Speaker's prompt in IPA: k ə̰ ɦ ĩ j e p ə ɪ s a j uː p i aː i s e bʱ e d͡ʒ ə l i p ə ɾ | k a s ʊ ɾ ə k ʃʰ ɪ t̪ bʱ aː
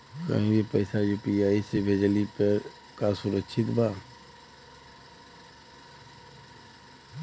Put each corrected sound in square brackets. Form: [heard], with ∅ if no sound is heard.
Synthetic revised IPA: k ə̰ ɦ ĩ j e p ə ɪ s a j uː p i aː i s e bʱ e d͡ʒ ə l i p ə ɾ | k a s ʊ ɾ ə k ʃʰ ɪ t̪ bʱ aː